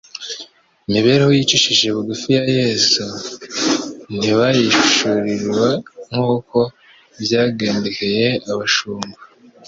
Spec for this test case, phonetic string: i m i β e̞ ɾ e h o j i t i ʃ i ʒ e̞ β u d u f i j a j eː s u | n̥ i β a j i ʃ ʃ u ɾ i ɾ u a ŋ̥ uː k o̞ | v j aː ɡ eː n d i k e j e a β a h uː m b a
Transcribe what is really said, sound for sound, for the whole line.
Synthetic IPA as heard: i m i β e̞ ɾ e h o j i t͡ʃ i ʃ i ʒ e̞ β u ɡ u f i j a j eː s u | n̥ i β a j i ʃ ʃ u ɾ i ɾ w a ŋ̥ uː k o̞ | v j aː ɡ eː n d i k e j e a β a ʃ uː m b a